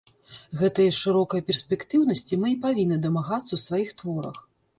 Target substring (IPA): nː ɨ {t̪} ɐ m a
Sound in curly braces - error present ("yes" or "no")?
yes